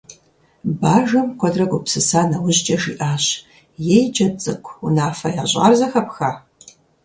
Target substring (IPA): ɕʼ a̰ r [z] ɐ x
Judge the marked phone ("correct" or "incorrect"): correct